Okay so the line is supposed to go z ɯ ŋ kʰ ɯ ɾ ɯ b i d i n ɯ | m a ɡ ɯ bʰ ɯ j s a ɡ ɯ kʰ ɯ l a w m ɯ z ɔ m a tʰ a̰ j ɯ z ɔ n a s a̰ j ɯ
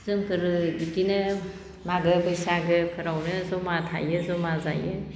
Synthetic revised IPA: z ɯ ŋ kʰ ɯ ɾ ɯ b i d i n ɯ | m a ɡ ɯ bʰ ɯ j s a ɡ ɯ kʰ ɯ ɾ a w n ɯ z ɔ m a tʰ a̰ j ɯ z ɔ m a z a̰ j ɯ